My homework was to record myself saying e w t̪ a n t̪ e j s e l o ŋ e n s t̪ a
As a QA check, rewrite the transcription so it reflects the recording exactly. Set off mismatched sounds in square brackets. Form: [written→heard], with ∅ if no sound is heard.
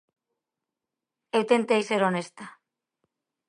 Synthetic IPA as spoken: e w t̪ [a→e] n t̪ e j s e [l→ɾ] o [ŋ→n] e [n→∅] s t̪ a